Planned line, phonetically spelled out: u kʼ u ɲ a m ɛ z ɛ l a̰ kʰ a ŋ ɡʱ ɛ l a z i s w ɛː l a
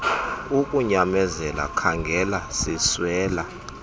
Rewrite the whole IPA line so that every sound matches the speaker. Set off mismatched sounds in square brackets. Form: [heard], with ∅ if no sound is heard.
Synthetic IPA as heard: u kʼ u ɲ a m ɛ z ɛ l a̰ kʰ a ŋ ɡʱ ɛ l a [s] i s w ɛː l a

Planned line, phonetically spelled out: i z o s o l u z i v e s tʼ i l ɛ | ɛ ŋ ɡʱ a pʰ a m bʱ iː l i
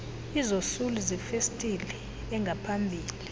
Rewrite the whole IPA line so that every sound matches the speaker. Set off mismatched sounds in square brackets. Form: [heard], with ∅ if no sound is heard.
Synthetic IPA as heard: i z o s [u] l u z i [f] e s tʼ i l ɛ | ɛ ŋ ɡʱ a pʰ a m bʱ iː l i

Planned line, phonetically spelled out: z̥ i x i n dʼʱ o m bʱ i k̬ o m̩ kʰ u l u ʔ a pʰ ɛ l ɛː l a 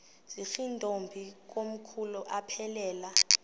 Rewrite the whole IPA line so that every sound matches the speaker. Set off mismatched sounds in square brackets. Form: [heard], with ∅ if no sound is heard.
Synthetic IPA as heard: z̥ i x i n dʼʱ o m bʱ i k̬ o m̩ kʰ u l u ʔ a pʰ ɛ l ɛː l a

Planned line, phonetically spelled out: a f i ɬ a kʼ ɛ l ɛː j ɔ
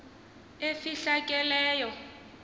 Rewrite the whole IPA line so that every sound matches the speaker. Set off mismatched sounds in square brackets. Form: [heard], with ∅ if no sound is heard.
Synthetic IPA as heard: [e] f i ɬ a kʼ ɛ l ɛː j ɔ

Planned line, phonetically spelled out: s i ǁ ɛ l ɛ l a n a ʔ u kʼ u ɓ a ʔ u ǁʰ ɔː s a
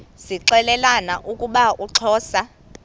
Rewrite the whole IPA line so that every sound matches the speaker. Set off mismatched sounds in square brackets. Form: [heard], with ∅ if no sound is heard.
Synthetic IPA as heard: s i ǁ ɛ l ɛ l a n a ʔ u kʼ u ɓ a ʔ u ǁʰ ɔː s a

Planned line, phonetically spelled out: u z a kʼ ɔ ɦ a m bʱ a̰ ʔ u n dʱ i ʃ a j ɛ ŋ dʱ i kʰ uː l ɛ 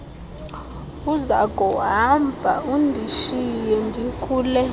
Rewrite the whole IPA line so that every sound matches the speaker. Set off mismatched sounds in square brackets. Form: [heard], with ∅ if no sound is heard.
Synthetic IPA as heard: u z a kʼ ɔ ɦ a m bʱ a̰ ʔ u n dʱ i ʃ [i] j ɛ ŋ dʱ i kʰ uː l ɛ

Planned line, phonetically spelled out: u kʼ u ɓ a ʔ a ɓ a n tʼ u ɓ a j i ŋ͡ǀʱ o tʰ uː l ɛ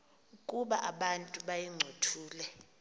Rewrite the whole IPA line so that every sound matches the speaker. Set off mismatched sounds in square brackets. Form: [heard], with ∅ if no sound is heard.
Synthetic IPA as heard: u kʼ u ɓ a ʔ a ɓ a n tʼ u ɓ a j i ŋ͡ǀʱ o tʰ uː l ɛ

